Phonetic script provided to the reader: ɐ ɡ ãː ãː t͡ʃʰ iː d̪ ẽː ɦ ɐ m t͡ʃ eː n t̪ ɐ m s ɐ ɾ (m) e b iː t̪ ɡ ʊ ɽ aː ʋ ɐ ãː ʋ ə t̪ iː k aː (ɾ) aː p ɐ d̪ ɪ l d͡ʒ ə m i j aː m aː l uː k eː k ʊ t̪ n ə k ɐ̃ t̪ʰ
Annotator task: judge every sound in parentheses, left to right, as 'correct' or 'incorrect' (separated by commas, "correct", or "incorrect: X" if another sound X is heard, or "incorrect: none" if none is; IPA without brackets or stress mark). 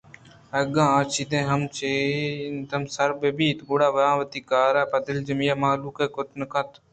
incorrect: b, correct